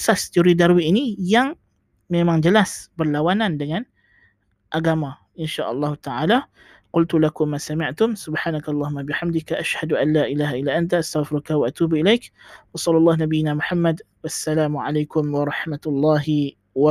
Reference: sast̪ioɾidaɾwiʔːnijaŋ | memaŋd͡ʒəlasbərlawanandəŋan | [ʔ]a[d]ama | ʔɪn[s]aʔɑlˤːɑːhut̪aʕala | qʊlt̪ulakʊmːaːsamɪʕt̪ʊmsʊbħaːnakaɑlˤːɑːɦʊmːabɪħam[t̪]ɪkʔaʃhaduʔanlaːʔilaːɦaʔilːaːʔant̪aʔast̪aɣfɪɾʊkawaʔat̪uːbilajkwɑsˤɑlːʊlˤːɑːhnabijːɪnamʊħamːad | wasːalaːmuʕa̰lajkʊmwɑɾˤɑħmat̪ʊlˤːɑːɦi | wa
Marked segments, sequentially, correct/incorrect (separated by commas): correct, incorrect, incorrect, incorrect